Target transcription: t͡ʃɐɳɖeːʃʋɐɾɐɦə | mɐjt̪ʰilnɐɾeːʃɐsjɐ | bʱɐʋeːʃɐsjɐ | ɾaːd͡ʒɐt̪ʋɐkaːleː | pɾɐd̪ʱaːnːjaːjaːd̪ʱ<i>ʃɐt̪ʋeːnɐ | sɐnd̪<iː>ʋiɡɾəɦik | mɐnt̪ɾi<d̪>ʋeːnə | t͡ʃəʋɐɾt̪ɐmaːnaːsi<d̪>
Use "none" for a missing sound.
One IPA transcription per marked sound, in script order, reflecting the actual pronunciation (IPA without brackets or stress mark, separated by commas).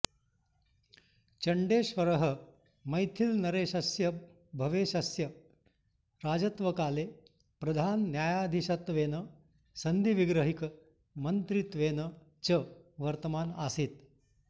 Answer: i, i, t̪, t̪